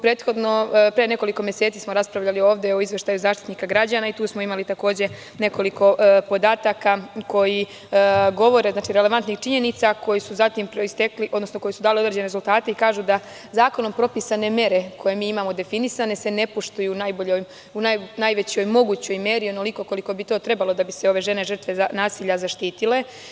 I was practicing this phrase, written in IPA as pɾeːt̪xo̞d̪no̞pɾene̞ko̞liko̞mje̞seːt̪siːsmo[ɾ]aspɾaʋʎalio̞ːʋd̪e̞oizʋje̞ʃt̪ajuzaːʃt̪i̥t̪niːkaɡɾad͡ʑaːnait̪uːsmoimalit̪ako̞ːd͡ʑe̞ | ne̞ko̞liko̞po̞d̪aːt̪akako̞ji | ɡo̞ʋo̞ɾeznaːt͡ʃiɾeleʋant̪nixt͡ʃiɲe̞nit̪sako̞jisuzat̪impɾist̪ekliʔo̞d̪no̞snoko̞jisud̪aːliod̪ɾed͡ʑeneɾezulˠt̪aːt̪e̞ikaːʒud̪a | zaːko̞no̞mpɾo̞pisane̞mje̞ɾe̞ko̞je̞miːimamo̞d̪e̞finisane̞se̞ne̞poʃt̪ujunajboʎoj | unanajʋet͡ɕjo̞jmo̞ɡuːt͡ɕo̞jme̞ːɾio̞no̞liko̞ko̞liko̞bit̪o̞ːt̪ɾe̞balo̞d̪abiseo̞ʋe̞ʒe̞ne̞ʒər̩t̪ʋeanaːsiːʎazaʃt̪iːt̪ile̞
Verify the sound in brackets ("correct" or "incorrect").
correct